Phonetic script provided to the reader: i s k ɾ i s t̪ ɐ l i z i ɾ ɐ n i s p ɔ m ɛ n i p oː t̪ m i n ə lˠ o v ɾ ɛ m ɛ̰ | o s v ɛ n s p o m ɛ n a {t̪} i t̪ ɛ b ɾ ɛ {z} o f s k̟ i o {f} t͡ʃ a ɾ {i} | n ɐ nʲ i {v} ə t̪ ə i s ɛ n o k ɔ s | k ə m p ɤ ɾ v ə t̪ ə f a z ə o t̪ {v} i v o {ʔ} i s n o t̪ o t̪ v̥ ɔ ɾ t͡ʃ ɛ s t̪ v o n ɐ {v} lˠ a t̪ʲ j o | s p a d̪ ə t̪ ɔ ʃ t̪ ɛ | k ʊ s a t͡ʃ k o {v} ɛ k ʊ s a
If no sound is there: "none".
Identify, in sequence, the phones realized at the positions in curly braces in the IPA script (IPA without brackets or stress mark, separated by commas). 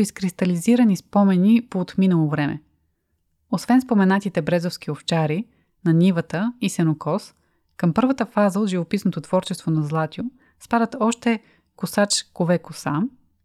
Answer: t̪, z, f, i, v, ʒ, p, z, v